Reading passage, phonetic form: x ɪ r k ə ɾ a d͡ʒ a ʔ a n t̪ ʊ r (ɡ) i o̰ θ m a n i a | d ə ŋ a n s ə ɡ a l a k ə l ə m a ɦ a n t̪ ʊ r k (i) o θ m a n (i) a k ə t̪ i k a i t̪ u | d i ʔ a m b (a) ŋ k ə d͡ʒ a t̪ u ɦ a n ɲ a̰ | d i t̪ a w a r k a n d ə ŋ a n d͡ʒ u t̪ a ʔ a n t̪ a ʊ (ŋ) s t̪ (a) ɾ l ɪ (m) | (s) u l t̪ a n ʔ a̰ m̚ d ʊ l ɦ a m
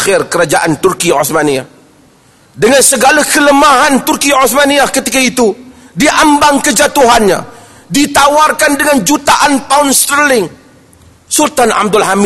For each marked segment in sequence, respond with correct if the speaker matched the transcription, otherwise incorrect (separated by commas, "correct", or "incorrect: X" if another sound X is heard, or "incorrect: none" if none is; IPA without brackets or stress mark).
incorrect: k, correct, correct, correct, incorrect: n, incorrect: ə, incorrect: ŋ, correct